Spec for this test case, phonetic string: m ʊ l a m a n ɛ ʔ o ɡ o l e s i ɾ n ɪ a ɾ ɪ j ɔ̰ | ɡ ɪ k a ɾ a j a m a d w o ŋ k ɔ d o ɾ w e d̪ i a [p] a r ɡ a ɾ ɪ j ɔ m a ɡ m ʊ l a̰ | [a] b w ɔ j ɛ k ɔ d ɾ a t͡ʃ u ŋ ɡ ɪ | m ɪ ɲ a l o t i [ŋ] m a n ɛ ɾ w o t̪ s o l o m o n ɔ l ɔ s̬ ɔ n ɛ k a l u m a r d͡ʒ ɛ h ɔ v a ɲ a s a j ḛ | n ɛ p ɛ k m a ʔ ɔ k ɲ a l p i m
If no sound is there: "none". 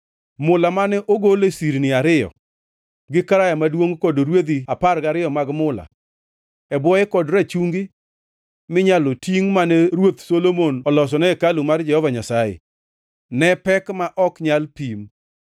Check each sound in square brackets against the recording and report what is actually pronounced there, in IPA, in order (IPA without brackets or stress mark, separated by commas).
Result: p, ɛ, ŋ